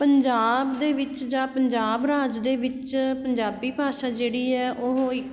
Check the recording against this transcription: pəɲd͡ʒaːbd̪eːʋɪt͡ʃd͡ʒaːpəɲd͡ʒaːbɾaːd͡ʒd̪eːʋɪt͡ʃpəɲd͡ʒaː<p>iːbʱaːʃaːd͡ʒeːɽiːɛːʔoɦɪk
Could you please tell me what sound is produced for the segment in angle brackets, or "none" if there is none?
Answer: b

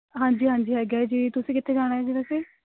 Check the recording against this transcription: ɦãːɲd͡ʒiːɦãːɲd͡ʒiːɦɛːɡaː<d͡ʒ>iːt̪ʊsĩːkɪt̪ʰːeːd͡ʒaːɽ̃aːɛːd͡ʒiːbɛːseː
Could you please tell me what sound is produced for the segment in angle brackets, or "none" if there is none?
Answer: d͡ʒ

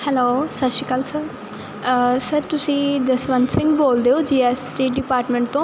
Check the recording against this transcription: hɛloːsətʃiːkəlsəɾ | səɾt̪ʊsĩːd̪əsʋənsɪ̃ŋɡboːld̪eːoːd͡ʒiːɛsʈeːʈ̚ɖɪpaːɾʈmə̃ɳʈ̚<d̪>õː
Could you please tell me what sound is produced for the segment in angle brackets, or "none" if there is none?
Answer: t̪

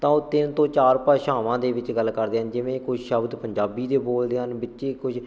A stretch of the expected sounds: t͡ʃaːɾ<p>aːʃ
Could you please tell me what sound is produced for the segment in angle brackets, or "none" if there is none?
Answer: p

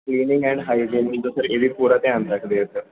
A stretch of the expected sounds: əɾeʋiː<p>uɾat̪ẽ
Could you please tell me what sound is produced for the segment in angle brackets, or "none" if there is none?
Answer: p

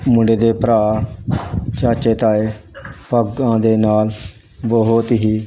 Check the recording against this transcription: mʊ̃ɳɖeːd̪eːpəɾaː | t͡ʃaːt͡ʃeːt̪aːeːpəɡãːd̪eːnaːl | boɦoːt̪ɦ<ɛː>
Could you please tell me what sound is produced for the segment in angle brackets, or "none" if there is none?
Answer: iː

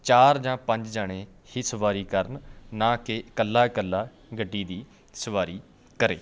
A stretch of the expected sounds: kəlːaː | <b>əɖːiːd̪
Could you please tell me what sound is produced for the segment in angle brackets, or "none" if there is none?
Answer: ɡ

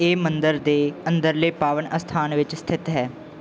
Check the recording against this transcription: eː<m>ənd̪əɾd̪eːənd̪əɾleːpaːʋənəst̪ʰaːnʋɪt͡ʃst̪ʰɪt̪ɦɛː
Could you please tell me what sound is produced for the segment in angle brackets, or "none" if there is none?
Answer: m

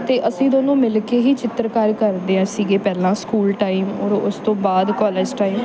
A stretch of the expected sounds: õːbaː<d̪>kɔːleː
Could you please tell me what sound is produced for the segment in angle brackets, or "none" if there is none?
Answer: d̪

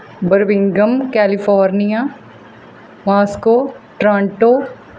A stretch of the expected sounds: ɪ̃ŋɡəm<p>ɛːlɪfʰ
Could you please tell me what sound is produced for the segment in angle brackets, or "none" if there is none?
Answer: k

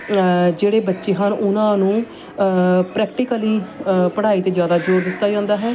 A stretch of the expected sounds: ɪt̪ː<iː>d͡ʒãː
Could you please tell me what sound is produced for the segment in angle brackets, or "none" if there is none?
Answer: aː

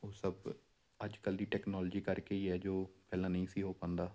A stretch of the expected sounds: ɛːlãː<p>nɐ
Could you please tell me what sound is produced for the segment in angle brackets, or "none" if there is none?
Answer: none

